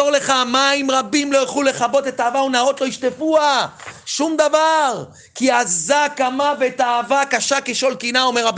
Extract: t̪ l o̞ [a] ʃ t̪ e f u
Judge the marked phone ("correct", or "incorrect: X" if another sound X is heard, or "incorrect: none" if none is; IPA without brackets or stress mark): incorrect: i